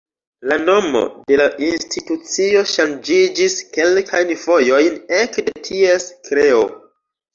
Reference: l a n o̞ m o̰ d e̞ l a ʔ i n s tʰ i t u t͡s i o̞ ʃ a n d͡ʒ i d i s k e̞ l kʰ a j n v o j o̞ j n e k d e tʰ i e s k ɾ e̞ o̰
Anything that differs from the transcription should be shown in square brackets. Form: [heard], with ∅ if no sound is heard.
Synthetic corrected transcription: l a n o̞ m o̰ d e̞ l a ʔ i n s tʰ i t u t͡s i o̞ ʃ a n d͡ʒ i [d͡ʒ] i s k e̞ l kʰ a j n v o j o̞ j n e k d e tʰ i e s k ɾ e̞ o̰